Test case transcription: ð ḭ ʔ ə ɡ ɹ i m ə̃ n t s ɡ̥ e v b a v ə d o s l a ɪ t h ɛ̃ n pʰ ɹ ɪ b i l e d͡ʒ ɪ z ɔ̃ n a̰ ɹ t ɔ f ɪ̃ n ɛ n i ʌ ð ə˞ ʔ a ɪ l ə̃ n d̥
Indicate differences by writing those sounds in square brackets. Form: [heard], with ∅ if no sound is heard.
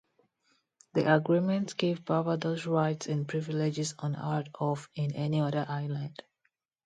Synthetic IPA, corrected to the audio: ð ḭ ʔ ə ɡ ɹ i m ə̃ n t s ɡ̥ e v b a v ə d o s [ɹ] a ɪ t [s] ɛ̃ n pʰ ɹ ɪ [v] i l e d͡ʒ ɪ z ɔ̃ n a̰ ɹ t ɔ f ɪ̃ n ɛ n i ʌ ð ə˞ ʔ a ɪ l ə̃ n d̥

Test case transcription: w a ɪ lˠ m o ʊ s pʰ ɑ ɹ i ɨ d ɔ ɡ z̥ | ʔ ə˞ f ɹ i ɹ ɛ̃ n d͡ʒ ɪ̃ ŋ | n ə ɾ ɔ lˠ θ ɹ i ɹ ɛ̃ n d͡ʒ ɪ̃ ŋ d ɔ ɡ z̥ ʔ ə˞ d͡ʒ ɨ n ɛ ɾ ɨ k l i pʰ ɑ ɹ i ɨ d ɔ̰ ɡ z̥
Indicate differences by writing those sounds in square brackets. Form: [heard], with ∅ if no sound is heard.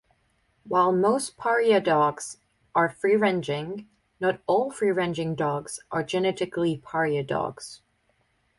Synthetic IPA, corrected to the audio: w a ɪ lˠ m o ʊ s pʰ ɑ ɹ i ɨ d ɔ ɡ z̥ | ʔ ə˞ f ɹ i ɹ ɛ̃ n d͡ʒ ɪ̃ ŋ | n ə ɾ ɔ lˠ [f] ɹ i ɹ ɛ̃ n d͡ʒ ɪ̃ ŋ d ɔ ɡ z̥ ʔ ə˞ d͡ʒ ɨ n ɛ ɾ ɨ k l i pʰ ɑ ɹ i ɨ d ɔ̰ ɡ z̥

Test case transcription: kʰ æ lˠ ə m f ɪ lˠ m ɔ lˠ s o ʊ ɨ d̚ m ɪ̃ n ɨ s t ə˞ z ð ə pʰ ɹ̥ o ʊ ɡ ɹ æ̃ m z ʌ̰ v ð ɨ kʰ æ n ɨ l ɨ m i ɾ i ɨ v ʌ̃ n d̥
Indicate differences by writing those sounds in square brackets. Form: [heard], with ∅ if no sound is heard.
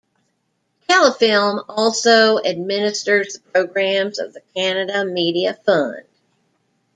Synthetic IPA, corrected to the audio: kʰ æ lˠ ə [∅] f ɪ lˠ m ɔ lˠ s o ʊ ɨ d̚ m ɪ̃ n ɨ s t ə˞ z ð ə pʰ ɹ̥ o ʊ ɡ ɹ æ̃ m z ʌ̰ v ð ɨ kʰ æ n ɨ [ɾ] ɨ m i ɾ i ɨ [f] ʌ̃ n d̥

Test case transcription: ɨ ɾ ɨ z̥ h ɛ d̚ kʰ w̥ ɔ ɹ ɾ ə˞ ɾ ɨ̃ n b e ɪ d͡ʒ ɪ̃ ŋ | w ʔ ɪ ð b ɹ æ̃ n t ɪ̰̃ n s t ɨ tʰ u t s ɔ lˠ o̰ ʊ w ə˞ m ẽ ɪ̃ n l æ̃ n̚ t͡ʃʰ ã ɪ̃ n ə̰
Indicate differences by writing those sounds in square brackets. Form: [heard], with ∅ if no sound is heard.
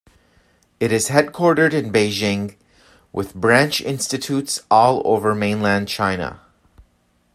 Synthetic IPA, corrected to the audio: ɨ ɾ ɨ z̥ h ɛ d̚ kʰ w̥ ɔ ɹ ɾ ə˞ ɾ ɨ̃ n b e ɪ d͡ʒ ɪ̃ ŋ | w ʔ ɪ ð b ɹ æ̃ n [t͡ʃ] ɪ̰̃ n s t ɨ tʰ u t s ɔ lˠ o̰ ʊ [v] ə˞ m ẽ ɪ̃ n l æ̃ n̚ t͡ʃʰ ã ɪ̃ n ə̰

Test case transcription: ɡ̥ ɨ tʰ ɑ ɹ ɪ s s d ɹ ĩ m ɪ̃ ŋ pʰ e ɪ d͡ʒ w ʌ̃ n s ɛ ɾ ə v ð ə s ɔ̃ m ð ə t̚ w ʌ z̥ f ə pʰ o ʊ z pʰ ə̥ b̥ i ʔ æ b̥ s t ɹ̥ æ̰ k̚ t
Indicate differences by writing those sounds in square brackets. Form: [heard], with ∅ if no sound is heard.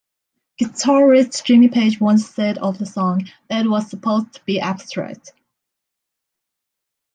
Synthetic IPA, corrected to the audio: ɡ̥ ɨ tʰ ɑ ɹ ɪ s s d ɹ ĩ m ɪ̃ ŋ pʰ e ɪ d͡ʒ w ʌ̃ n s ɛ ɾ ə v ð ə s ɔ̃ [ŋ] ð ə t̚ w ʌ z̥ [s] ə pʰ o ʊ z [tʰ] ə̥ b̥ i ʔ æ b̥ s t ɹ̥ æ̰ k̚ t

